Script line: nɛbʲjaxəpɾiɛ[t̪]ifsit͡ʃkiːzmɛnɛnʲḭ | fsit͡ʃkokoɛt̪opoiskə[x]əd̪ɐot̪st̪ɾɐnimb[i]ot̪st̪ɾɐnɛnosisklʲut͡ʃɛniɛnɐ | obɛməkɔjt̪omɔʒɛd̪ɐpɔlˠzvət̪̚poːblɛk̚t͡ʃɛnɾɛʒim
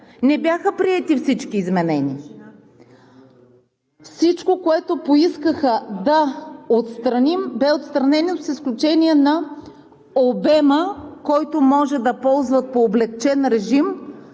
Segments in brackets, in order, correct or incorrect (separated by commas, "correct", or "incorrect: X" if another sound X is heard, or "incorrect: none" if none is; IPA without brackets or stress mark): correct, correct, incorrect: ɛ